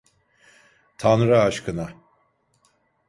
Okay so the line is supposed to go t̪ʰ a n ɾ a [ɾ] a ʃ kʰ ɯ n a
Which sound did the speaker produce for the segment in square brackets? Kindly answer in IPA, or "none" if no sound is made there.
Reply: none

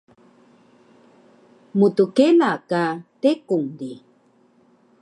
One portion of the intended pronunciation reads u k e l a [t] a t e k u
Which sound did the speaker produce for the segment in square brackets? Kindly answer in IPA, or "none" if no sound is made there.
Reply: k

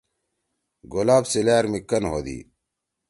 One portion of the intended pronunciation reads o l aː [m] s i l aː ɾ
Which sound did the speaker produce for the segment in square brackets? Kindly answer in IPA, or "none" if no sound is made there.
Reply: b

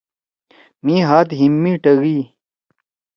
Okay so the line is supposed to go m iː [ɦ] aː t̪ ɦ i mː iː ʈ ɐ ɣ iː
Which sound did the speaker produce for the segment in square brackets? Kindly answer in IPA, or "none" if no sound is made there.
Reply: ɦ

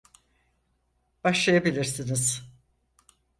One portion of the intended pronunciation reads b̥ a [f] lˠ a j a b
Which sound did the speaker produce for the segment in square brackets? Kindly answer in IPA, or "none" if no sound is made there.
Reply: ʃ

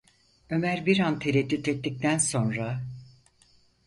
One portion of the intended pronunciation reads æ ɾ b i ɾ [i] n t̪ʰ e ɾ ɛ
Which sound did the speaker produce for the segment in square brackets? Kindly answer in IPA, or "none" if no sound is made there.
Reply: a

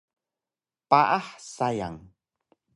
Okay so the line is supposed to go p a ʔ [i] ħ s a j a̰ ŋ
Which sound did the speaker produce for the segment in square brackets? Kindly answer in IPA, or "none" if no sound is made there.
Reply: a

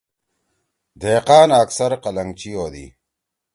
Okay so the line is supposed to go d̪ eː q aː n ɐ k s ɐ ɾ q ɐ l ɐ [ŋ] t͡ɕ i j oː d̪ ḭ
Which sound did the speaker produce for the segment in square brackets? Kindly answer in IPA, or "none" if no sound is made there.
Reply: ŋ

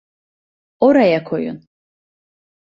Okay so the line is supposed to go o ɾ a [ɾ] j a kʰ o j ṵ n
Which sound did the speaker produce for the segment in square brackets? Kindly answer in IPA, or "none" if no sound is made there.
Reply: none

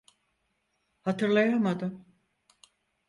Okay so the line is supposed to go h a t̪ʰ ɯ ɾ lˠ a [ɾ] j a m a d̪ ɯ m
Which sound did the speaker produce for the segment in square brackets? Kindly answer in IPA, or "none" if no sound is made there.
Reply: none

